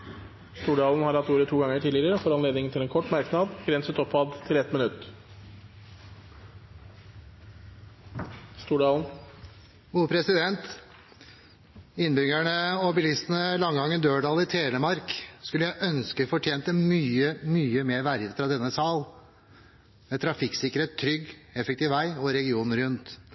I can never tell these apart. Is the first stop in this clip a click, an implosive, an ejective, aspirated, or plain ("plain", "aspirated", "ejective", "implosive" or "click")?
plain